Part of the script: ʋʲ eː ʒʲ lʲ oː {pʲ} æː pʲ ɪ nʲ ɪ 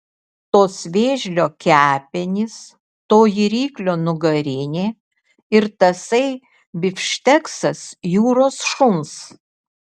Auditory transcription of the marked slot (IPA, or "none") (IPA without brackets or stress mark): kʲ